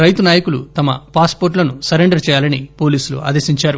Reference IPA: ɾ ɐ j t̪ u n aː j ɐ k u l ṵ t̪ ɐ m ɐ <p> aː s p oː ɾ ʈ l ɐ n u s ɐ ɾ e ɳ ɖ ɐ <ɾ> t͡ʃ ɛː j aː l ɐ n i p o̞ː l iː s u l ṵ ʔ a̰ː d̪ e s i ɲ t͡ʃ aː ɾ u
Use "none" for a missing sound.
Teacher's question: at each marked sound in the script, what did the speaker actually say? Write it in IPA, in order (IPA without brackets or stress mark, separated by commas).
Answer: p, ɾ